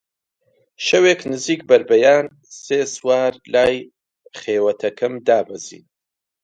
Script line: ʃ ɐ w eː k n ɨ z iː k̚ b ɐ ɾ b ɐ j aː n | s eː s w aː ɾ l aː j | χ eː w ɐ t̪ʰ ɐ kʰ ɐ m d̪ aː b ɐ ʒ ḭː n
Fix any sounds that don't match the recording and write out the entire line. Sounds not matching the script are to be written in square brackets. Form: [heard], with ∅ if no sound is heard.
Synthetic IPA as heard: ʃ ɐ w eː k n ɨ z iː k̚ b ɐ ɾ b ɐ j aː n | s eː s w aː ɾ l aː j | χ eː w ɐ t̪ʰ ɐ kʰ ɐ m d̪ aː b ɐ [z] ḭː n